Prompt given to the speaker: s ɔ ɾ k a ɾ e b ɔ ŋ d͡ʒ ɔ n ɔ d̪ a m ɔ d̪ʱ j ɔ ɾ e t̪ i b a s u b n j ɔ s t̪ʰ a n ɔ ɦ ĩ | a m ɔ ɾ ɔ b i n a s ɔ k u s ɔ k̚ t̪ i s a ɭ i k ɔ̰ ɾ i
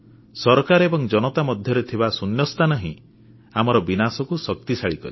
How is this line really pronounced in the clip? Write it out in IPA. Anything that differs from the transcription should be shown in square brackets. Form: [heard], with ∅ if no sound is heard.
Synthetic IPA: s ɔ ɾ k a ɾ e b ɔ ŋ d͡ʒ ɔ n ɔ [t̪] a m ɔ d̪ʱ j ɔ ɾ e [t̪ʰ] i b a s u [∅] n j ɔ s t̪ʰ a n ɔ ɦ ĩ | a m ɔ ɾ ɔ b i n a s ɔ k u s ɔ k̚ t̪ i s a ɭ i k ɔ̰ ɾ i